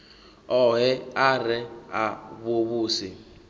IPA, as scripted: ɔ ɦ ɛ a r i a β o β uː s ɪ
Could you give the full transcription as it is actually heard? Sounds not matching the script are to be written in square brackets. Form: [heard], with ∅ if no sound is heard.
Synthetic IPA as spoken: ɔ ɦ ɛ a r [ɛ] a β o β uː s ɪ